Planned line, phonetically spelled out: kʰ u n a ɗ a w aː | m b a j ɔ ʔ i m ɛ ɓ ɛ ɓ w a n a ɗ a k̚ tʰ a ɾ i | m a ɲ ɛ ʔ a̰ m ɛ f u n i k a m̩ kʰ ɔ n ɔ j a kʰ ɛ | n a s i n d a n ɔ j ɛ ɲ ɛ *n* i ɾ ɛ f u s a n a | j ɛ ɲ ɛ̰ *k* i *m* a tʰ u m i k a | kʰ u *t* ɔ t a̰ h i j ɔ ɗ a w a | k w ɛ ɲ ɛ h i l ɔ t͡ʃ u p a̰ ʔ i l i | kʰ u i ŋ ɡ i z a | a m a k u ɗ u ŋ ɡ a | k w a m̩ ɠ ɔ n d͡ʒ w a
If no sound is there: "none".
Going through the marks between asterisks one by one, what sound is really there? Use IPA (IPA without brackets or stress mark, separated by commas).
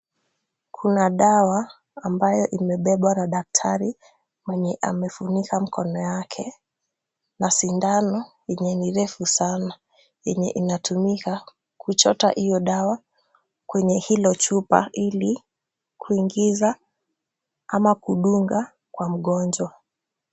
n, ʔ, n, t͡ʃ